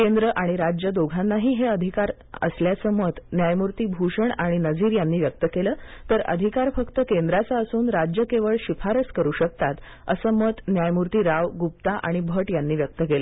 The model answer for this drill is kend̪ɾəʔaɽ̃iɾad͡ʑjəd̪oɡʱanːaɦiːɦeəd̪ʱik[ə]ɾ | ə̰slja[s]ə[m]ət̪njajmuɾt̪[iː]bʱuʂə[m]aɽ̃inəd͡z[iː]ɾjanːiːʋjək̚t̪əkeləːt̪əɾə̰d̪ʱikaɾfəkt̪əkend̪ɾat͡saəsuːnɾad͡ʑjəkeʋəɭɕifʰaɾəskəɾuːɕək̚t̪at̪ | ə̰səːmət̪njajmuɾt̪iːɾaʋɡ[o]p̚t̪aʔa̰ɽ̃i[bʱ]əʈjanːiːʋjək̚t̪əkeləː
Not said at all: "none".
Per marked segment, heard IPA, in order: a, t͡s, m, iː, ɳ, iː, u, bʱ

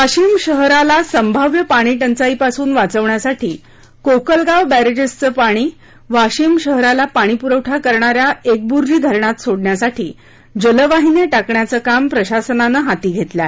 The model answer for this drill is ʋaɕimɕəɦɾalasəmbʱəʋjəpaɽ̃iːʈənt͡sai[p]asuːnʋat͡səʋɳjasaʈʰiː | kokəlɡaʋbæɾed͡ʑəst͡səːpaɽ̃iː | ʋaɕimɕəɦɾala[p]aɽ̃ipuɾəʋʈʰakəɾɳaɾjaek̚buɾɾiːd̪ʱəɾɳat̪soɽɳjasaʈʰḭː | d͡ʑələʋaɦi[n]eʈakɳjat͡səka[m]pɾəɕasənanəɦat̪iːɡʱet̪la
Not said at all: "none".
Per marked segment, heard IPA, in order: p, p, n, m

